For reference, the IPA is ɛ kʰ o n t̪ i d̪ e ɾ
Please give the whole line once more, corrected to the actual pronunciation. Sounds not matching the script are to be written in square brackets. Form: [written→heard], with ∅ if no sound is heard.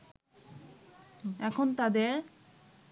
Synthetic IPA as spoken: ɛ kʰ o n t̪ [i→a] d̪ e ɾ